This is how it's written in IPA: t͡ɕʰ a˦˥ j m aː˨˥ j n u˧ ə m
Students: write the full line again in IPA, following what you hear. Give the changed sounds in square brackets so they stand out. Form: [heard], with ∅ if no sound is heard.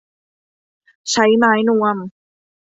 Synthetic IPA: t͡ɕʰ a˦˥ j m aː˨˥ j n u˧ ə m